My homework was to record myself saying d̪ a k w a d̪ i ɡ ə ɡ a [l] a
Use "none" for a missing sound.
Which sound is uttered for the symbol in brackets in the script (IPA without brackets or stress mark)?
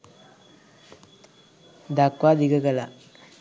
l